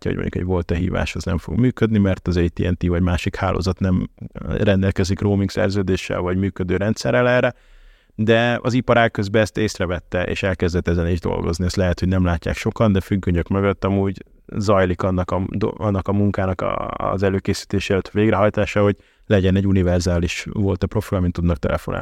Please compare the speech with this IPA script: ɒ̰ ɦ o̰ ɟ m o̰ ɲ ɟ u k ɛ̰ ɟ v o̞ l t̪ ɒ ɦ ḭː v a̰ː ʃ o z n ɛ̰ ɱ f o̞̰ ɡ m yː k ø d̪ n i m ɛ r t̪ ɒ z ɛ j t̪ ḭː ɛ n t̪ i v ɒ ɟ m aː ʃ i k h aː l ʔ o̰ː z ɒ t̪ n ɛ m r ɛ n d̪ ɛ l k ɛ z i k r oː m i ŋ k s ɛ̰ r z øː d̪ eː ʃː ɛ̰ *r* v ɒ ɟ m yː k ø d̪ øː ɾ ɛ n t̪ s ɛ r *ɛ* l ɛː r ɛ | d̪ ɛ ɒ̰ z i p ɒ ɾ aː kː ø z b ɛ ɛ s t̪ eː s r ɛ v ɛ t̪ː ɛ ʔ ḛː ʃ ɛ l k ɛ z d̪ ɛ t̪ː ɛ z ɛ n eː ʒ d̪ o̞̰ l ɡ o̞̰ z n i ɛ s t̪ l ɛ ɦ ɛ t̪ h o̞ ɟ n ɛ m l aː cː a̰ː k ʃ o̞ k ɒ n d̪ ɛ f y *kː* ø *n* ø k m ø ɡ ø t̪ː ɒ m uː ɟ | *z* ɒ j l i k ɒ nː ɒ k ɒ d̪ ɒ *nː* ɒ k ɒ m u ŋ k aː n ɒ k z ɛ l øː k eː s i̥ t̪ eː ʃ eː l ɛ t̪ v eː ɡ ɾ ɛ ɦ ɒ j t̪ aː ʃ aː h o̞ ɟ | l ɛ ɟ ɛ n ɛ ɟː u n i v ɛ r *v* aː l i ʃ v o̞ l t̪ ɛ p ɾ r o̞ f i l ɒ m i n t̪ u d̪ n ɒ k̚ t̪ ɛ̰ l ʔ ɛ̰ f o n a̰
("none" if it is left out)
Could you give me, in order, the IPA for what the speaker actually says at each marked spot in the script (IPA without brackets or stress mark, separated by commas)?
l, ɛ, ɡː, ɲ, z, nː, z